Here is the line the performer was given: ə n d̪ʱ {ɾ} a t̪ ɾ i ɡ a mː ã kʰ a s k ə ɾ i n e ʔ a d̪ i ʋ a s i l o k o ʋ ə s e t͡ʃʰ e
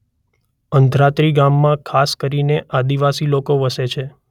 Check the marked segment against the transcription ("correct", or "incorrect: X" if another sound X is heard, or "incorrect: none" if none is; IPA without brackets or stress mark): correct